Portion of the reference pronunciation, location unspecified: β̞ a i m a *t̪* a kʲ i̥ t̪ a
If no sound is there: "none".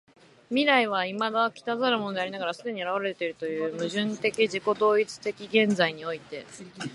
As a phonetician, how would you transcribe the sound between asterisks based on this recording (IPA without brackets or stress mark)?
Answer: d̪